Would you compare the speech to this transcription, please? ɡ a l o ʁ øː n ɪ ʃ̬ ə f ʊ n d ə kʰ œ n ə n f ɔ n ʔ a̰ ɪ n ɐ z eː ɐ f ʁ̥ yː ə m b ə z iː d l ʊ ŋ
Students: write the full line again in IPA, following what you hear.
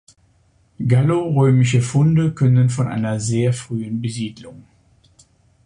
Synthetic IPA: ɡ a l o ʁ øː m ɪ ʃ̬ ə f ʊ n d ə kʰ œ n ə n f ɔ n ʔ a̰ ɪ n ɐ z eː ɐ f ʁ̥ yː ə n b ə z iː d l ʊ ŋ